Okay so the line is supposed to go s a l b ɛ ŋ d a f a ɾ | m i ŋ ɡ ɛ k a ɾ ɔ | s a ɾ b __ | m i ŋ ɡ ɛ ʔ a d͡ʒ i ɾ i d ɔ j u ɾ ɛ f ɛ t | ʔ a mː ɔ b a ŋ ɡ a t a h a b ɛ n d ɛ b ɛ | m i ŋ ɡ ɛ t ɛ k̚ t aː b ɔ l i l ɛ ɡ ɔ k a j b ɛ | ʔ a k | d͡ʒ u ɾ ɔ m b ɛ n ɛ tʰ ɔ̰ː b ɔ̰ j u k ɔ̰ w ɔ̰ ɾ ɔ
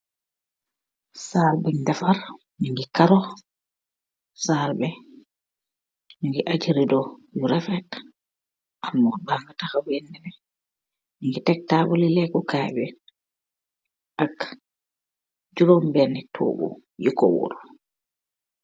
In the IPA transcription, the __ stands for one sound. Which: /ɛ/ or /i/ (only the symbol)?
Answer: ɛ